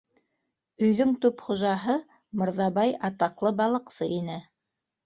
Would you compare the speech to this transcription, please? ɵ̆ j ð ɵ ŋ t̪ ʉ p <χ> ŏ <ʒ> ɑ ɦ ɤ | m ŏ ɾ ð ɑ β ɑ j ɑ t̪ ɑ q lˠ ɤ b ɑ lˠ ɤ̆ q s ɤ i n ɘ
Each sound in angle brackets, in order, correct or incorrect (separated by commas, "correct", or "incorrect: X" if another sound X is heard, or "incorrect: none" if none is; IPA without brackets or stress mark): correct, correct